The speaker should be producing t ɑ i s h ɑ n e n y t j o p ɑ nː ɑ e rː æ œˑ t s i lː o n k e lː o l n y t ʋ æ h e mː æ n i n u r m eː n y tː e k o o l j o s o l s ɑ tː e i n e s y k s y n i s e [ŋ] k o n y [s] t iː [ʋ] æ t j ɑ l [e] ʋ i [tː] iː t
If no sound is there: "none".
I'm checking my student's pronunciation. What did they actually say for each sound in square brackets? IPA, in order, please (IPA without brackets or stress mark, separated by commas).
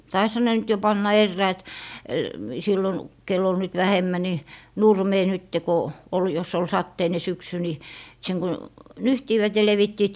ŋ, h, ʋ, e, tː